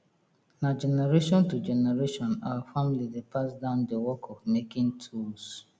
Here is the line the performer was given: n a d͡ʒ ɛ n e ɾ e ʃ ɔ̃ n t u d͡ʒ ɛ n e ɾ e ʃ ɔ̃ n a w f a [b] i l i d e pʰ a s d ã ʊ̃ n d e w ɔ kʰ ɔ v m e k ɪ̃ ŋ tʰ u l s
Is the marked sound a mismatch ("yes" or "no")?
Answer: yes